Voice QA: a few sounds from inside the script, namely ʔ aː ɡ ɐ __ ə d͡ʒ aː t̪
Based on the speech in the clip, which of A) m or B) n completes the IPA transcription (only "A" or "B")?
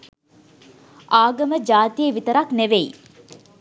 A